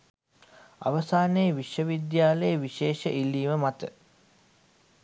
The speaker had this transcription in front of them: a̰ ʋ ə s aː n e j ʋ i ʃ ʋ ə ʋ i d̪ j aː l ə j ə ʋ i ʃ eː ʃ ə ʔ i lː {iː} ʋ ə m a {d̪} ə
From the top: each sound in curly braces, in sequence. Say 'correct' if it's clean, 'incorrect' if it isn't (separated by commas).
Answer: correct, incorrect